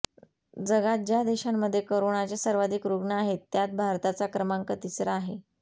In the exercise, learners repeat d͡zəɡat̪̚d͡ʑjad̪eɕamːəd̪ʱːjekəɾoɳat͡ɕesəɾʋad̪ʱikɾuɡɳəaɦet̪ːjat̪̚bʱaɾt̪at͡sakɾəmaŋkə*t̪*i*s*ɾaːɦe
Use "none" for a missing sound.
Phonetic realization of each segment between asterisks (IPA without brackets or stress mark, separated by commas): t̪, s